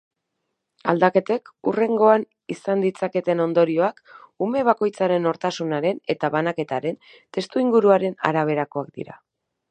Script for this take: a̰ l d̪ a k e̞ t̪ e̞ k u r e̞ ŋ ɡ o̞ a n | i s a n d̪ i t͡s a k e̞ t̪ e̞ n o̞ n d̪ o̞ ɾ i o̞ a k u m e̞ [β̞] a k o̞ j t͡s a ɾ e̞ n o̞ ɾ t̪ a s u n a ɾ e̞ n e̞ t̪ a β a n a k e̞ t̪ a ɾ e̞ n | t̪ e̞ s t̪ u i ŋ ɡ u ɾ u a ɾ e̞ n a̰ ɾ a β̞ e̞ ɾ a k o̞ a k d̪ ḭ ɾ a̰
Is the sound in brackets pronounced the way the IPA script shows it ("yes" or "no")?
yes